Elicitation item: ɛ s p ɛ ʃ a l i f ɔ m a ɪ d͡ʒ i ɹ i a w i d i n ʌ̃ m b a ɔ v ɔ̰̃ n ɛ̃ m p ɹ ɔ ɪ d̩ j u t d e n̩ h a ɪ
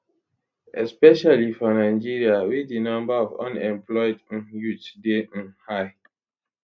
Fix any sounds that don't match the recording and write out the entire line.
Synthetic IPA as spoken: ɛ s p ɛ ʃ a l i f ɔ n a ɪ d͡ʒ i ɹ i a w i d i n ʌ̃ m b a ɔ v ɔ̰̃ n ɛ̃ m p l ɔ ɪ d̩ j u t d e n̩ h a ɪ

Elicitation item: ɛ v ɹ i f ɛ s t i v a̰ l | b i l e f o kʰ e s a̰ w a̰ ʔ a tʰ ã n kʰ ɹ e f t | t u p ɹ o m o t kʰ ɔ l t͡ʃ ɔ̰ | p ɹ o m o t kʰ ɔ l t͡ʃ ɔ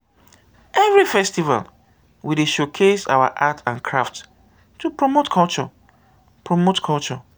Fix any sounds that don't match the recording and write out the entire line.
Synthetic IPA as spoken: ɛ v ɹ i f ɛ s t i v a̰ l | w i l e ʃ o kʰ e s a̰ w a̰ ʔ a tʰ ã n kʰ ɹ a f t | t u p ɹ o m o t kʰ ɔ l t͡ʃ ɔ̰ | p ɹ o m o t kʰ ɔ l t͡ʃ ɔ

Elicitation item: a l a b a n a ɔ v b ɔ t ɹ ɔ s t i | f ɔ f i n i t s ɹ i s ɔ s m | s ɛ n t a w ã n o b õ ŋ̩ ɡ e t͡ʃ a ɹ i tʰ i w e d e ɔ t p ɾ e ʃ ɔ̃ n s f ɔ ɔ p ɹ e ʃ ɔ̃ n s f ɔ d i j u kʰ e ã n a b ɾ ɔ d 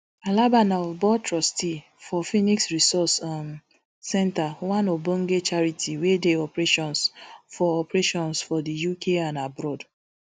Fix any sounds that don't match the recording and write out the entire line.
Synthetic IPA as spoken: a l a b a n a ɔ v b ɔ t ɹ ɔ s t i | f ɔ f i n i k s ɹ i s ɔ s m | s ɛ n t a w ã n o b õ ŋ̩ ɡ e t͡ʃ a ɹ i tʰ i w e d e ɔ p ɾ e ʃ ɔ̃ n s f ɔ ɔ p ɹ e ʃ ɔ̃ n s f ɔ d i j u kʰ e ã n a b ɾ ɔ d

